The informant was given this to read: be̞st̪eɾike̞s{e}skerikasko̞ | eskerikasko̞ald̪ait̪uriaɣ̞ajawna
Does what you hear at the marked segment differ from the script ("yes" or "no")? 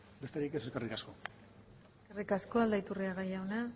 no